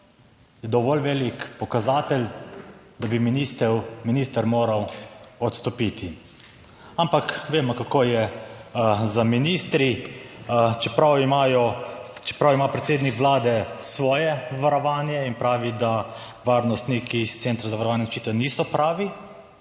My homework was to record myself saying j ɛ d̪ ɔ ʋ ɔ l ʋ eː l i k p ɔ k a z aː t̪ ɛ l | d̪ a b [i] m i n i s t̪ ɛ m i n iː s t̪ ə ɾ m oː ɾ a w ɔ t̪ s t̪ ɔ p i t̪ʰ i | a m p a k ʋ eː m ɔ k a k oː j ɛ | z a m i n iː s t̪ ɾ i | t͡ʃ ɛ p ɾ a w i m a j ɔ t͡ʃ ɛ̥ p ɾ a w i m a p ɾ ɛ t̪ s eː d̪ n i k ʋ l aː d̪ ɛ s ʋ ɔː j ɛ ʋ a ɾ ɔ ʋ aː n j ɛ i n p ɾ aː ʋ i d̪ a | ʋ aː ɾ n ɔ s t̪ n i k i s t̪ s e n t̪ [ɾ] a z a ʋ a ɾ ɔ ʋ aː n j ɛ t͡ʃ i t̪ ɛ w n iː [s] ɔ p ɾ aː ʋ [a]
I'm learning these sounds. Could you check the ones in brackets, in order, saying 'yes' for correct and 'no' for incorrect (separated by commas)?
yes, yes, yes, no